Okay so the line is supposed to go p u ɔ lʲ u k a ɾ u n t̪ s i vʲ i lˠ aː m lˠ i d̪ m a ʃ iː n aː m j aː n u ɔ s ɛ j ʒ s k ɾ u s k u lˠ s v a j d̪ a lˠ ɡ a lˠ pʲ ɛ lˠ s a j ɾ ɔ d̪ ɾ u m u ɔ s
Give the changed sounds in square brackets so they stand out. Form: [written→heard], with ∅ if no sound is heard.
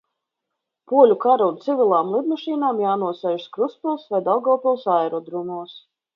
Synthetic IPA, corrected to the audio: p u ɔ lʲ u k a ɾ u n t̪ s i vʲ i lˠ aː m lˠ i d̪ m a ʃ iː n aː m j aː n u ɔ s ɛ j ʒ s k ɾ u s [k→p] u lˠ s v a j d̪ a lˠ ɡ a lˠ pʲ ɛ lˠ s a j ɾ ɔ d̪ ɾ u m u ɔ s